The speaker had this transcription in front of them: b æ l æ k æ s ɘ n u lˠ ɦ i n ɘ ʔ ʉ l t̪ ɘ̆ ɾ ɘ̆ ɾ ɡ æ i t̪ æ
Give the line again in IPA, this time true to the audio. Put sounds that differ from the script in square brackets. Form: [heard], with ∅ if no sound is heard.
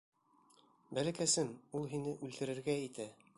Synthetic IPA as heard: b æ l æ k æ s ɘ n u lˠ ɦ i n ɘ ʔ ʉ l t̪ ɘ̆ ɾ ɘ̆ ɾ ɡ æ i t̪ æ